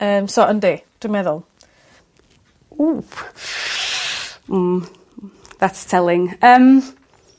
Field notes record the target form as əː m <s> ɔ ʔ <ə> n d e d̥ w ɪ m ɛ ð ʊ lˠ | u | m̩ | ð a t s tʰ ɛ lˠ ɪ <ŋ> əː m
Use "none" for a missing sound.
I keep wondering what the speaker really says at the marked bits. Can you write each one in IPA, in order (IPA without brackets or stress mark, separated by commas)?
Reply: s, ə, ŋ